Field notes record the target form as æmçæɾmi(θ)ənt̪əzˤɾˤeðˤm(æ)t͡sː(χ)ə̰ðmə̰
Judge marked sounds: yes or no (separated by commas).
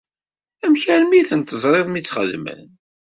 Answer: yes, no, yes